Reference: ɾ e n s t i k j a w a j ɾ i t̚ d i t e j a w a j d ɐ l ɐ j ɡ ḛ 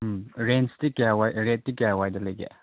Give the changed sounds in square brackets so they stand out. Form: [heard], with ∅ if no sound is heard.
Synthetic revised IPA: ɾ e n s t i k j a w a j ɾ [e] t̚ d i [k] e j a w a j d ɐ l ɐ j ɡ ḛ